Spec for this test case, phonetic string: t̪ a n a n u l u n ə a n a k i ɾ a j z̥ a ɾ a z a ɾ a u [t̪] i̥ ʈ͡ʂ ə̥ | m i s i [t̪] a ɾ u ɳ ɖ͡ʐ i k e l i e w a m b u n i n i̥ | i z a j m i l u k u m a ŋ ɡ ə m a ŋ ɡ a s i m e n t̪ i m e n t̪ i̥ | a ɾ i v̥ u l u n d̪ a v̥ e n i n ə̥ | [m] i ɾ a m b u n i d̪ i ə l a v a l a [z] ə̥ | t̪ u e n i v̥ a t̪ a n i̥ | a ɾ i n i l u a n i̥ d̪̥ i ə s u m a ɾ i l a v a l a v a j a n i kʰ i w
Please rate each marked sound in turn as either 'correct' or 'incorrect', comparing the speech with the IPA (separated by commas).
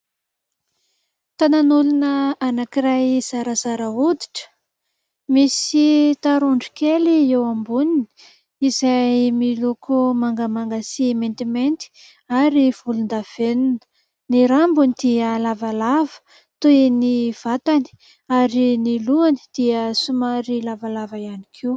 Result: incorrect, correct, incorrect, incorrect